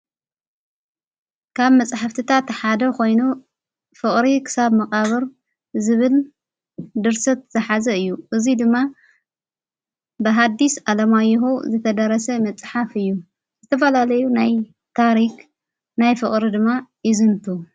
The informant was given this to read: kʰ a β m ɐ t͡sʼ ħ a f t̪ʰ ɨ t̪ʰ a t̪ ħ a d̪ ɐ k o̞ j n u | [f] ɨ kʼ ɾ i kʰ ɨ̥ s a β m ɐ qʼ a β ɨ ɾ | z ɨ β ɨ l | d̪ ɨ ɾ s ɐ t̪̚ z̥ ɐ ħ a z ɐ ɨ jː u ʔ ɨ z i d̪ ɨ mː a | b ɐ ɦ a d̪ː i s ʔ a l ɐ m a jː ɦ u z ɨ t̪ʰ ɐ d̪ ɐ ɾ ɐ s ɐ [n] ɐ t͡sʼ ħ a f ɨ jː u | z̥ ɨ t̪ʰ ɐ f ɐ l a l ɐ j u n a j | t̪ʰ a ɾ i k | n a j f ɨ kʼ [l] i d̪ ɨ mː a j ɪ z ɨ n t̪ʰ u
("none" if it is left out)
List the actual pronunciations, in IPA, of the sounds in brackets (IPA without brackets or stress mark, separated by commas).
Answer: f, m, ɾ